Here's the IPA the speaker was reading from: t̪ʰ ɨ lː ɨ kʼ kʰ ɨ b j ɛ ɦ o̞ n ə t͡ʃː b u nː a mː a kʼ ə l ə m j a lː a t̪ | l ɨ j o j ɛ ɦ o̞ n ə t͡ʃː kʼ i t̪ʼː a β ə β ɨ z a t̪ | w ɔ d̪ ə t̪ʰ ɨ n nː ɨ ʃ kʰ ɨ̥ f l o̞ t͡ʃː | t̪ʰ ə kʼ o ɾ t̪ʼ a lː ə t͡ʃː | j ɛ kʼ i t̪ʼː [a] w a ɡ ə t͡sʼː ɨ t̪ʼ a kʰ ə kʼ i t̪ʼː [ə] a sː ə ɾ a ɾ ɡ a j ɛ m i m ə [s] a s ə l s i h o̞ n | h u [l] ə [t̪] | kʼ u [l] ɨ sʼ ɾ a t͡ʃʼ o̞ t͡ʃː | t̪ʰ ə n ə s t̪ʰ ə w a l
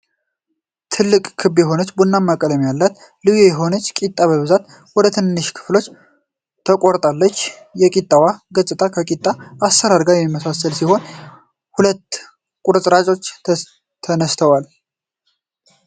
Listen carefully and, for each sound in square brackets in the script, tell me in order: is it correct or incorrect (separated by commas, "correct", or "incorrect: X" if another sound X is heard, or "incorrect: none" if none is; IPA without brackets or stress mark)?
correct, incorrect: a, correct, correct, correct, incorrect: ɾ